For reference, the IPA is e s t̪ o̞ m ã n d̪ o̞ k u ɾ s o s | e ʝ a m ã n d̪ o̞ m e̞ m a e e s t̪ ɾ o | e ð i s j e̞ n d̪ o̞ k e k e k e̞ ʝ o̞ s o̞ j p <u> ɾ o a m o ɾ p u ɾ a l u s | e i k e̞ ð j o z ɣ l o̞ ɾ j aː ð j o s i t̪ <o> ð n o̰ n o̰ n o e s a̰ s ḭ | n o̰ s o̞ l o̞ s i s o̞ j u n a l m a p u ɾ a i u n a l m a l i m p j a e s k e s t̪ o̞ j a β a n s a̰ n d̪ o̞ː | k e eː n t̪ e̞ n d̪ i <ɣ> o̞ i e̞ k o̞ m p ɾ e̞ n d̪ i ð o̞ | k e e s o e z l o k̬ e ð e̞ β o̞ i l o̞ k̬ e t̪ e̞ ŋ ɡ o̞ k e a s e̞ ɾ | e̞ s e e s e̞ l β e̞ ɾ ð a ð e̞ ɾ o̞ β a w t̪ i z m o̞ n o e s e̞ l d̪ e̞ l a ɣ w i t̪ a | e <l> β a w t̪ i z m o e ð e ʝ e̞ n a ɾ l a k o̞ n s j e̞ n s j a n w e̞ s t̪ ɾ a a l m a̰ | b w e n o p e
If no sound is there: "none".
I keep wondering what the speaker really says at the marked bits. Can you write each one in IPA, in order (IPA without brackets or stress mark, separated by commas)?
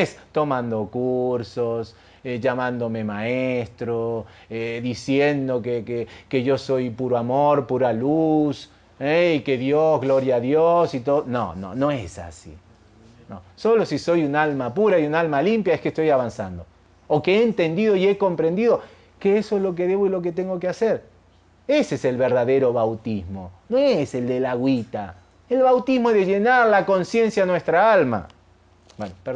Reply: u, o, ð, l